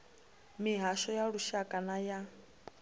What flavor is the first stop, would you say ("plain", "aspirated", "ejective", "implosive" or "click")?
ejective